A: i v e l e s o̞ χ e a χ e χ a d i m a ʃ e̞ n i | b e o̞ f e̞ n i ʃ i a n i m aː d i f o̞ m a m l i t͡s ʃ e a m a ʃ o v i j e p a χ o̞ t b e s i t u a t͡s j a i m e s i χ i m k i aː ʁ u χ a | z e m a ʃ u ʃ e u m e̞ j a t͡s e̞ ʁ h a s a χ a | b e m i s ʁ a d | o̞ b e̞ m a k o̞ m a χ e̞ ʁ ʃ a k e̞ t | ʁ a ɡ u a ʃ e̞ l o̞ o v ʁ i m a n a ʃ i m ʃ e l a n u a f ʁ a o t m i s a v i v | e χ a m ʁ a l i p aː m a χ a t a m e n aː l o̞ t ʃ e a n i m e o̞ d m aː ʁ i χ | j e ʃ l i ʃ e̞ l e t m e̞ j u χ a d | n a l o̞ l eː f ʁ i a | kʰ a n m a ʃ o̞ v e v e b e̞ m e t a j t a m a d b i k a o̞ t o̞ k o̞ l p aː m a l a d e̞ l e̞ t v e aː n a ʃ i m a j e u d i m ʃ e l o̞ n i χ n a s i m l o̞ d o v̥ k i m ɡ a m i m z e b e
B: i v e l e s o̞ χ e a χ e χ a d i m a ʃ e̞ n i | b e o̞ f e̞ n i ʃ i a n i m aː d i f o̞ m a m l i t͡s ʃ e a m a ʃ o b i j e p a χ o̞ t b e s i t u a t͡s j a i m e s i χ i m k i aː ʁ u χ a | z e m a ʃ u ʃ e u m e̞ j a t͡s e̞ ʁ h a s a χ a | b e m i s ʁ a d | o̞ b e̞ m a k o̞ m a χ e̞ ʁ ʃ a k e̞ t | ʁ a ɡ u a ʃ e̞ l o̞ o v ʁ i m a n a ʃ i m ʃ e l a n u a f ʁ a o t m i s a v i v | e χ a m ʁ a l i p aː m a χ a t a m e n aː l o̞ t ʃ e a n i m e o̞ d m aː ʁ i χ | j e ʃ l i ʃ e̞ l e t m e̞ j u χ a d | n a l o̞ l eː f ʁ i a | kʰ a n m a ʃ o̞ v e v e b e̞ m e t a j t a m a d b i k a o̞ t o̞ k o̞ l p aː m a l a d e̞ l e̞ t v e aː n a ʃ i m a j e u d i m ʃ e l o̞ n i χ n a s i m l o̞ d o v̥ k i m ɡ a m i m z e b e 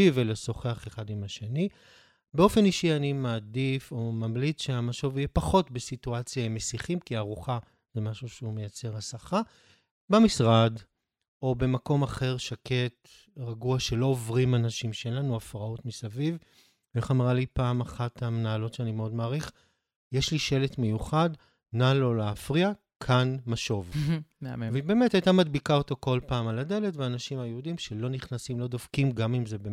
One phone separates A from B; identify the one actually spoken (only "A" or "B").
A